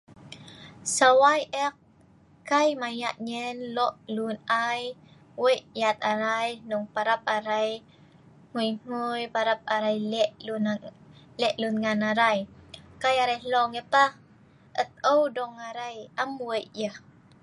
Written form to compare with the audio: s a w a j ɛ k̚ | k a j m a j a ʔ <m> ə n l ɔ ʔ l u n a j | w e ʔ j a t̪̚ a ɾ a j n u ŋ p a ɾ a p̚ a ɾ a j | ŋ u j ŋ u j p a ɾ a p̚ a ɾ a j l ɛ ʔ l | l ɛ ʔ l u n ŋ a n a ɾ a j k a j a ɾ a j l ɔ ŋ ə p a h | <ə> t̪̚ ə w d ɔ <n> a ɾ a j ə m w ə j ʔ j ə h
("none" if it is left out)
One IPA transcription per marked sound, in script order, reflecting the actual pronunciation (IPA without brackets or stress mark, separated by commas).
ɲ, ə, ŋ